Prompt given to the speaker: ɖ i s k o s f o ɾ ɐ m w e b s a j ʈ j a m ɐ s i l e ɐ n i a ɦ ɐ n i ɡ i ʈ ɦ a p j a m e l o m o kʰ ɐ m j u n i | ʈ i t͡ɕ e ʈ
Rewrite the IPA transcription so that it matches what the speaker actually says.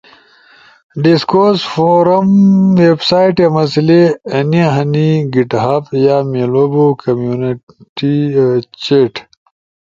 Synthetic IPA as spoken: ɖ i s k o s f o ɾ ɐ m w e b s a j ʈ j a m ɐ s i l e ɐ n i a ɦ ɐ n i ɡ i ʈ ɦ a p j a m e l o b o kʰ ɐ m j u n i | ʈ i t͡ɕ e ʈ